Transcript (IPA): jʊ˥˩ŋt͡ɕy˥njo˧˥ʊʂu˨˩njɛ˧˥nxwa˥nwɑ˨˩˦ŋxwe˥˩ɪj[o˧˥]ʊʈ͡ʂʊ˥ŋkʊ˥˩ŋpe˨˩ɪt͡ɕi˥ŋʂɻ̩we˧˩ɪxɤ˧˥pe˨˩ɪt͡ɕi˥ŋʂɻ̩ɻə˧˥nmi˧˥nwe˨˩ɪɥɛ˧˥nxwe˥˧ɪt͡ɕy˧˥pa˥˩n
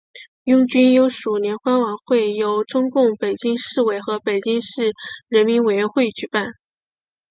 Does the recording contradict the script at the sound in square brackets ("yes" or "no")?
no